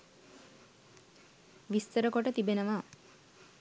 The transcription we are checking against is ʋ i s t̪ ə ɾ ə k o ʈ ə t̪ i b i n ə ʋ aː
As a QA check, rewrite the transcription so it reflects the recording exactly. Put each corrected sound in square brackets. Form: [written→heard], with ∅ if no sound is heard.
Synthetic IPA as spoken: ʋ i s t̪ ə ɾ ə k o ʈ ə t̪ i b [i→e] n ə ʋ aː